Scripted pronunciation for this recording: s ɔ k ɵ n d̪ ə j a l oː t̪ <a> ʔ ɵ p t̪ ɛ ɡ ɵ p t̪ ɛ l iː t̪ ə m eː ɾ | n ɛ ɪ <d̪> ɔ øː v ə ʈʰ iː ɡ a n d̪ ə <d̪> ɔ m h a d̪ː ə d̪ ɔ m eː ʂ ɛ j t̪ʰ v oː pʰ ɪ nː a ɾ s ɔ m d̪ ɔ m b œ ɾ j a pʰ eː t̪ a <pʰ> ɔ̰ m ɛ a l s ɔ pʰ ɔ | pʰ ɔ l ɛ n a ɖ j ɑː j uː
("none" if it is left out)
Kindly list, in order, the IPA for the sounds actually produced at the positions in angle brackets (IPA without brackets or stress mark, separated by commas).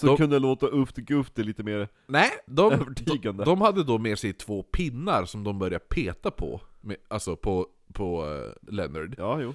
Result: a, d̪, d̪, pʰ